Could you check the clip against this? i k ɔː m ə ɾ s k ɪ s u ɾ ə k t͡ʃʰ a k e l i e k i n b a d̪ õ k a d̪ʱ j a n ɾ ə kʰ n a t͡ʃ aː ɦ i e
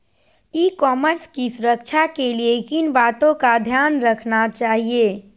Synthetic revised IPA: i k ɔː m ə ɾ s k i s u ɾ ə k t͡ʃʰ a k e l i e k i n b a t̪ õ k a d̪ʱ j a n ɾ ə kʰ n a t͡ʃ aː ɦ i e